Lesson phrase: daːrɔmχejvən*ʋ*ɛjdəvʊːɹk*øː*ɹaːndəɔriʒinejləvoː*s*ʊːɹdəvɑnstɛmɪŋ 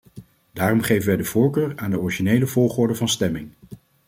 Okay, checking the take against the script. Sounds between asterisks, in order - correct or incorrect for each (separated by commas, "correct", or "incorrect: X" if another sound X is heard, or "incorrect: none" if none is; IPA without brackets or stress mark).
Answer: correct, correct, incorrect: χ